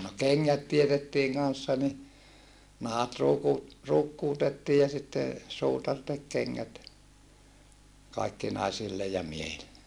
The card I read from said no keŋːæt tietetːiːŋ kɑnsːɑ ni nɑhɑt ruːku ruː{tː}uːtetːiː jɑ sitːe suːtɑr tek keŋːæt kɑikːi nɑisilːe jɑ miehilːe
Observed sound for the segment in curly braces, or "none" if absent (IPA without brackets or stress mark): kː